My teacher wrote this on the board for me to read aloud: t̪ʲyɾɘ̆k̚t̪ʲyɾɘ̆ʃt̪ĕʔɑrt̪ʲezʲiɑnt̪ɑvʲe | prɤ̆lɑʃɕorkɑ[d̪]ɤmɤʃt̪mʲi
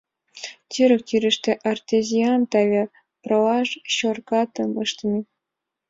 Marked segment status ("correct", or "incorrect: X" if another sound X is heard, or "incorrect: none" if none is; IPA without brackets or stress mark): incorrect: t̪